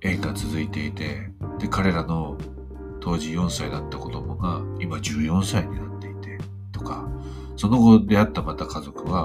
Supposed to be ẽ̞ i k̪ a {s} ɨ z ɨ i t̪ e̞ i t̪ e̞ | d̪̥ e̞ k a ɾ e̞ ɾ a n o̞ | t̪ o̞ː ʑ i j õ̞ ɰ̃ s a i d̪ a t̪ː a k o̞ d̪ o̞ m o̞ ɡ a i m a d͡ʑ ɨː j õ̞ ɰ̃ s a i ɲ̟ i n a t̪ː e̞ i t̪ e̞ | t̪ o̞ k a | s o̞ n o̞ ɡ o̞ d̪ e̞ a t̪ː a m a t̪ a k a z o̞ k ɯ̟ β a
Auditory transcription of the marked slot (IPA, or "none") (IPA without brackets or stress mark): t͡s